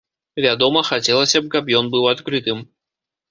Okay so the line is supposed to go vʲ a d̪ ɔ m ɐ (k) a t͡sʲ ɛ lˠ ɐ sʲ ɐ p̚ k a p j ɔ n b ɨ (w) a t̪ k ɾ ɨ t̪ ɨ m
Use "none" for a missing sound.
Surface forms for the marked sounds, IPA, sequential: x, w

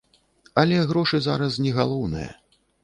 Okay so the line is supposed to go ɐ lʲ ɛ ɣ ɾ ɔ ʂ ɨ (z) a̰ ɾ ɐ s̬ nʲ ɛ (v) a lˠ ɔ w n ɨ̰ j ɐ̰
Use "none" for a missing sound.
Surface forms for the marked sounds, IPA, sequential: z, ɣ

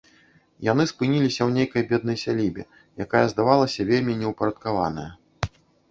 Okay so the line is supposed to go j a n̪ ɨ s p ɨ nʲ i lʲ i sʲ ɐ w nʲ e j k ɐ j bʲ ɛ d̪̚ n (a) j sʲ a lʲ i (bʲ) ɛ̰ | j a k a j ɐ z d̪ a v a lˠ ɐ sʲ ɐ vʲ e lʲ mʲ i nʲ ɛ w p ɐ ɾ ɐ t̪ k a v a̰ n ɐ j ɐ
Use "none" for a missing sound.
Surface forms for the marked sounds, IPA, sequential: ɐ, bʲ

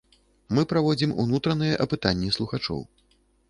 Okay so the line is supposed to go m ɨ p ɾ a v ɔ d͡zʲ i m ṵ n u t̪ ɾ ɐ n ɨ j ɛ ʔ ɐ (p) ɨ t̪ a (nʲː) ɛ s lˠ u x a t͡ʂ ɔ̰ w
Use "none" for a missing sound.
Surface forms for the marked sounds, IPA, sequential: p, nʲː

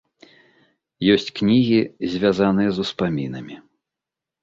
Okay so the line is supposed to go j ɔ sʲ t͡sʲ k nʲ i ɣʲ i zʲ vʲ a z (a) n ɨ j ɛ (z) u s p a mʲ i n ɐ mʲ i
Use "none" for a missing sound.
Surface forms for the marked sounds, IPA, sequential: a, z

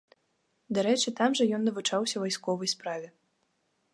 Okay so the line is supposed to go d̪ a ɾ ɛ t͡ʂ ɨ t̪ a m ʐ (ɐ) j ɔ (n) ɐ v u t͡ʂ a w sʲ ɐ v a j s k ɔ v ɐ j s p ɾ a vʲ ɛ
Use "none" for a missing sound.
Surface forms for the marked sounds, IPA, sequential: ɐ, nː

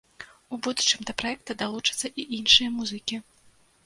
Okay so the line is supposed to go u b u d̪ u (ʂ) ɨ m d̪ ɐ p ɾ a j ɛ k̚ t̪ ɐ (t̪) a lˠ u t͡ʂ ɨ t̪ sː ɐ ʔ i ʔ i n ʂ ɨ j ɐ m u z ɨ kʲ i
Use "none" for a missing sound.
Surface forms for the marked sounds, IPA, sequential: t͡ʂ, d̪

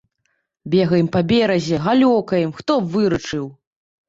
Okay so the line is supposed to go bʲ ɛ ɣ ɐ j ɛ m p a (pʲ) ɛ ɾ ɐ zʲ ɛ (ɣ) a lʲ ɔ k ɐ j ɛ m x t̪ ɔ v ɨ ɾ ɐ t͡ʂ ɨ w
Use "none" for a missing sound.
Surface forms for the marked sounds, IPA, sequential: bʲ, ɣ

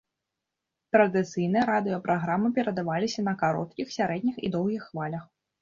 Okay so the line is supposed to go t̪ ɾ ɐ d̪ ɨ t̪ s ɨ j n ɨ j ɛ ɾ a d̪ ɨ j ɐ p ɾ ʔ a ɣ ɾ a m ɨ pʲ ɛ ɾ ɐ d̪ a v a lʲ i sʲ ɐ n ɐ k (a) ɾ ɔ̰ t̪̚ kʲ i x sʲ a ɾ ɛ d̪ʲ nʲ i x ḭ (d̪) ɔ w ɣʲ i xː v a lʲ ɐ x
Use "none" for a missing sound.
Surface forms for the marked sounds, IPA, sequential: a, d̪

